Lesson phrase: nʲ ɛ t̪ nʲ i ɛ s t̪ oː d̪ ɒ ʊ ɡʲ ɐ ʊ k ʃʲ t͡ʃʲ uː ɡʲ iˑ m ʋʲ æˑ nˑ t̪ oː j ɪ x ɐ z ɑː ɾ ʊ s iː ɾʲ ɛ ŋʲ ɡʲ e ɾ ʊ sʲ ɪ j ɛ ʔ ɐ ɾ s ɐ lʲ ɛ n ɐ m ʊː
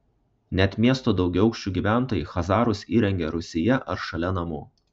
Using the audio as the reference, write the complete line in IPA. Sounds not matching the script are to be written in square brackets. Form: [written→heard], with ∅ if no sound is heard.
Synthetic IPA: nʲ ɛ t̪ [nʲ→mʲ] i ɛ s t̪ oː d̪ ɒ ʊ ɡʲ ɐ ʊ k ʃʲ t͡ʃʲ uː ɡʲ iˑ [m→∅] ʋʲ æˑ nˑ t̪ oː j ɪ x ɐ z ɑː ɾ ʊ s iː ɾʲ ɛ ŋʲ ɡʲ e ɾ ʊ sʲ ɪ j ɛ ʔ ɐ ɾ [s→ʃ] ɐ lʲ ɛ n ɐ m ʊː